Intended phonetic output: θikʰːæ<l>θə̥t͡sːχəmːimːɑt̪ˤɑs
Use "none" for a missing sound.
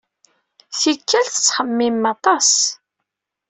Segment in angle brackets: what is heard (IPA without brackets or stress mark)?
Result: l